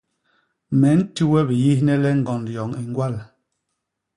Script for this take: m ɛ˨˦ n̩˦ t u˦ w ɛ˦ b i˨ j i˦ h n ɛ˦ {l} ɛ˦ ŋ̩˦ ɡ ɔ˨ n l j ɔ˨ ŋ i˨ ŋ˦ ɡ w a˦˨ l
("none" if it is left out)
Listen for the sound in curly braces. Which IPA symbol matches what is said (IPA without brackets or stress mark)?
l